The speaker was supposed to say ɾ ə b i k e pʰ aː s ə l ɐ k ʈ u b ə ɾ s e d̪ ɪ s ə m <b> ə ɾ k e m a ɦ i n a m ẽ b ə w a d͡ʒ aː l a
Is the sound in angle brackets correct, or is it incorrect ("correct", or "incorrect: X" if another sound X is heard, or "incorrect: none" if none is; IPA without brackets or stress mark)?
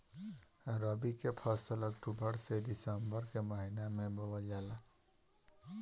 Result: correct